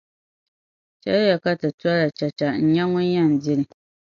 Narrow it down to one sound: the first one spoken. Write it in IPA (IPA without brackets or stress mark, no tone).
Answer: t͡ʃ